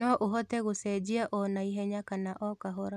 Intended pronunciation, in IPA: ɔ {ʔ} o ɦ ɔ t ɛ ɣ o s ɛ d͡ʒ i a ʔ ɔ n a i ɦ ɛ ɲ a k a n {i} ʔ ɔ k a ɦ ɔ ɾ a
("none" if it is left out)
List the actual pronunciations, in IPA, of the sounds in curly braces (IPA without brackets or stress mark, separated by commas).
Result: ʔ, a